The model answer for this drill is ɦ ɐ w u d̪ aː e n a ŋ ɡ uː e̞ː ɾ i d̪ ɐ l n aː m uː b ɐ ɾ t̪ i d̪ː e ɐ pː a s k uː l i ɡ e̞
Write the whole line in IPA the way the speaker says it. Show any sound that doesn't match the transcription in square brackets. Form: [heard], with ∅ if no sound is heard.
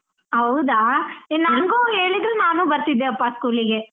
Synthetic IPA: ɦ ɐ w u d̪ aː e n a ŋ ɡ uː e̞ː [ɭ] i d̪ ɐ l n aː [n] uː b ɐ ɾ t̪ i d̪ː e ɐ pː a s k uː l i ɡ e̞